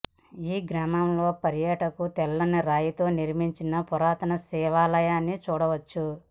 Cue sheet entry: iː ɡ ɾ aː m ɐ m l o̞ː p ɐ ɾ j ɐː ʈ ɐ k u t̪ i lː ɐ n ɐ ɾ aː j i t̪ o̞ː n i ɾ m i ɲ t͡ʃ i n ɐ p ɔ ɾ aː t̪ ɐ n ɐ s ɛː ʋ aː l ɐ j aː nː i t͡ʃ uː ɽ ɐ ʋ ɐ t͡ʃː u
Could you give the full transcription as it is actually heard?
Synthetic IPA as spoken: iː ɡ ɾ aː m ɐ m l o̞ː p ɐ ɾ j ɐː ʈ ɐ k u t̪ ɛ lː ɐ n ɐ ɾ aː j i t̪ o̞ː n i ɾ m i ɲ t͡ʃ i n ɐ p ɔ ɾ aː t̪ ɐ n ɐ s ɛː ʋ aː l ɐ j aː nː i t͡ʃ uː ɽ ɐ ʋ ɐ t͡ʃː u